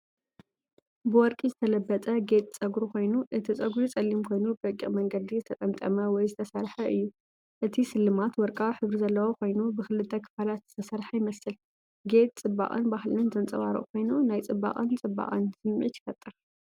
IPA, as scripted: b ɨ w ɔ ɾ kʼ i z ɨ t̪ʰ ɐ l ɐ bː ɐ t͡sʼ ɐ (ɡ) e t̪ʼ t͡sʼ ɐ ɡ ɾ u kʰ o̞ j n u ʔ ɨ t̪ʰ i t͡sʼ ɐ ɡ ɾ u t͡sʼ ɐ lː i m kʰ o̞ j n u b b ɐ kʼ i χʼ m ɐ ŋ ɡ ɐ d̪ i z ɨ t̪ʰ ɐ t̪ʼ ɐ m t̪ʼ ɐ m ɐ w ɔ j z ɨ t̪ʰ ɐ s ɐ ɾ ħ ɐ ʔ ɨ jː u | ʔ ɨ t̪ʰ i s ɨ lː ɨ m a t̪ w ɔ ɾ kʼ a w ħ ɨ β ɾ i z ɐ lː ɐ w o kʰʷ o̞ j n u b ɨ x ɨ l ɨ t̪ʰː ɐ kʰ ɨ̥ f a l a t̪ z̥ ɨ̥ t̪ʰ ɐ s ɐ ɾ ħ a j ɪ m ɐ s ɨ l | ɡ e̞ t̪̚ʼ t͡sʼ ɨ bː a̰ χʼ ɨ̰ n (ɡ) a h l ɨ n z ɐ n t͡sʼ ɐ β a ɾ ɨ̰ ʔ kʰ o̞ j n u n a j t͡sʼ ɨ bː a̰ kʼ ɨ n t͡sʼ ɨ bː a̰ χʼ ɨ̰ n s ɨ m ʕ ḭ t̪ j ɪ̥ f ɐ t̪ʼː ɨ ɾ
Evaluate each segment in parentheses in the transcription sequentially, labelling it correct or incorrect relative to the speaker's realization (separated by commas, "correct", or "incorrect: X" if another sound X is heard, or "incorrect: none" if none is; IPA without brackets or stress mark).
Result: correct, incorrect: b